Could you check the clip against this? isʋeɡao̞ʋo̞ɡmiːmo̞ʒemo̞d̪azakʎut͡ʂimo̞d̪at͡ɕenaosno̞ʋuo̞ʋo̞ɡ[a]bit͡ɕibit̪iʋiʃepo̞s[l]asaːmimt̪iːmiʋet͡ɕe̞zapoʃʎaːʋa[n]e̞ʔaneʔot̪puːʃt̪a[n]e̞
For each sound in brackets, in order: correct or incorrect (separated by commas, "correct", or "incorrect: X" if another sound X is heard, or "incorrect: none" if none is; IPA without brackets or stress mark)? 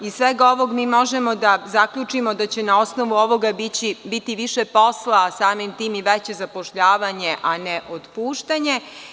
correct, correct, incorrect: ɲ, incorrect: ɲ